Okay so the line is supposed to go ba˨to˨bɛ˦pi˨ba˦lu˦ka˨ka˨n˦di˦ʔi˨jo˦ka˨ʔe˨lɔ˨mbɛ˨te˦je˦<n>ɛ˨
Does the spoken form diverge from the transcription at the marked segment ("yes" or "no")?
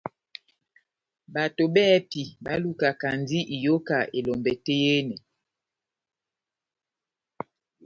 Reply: no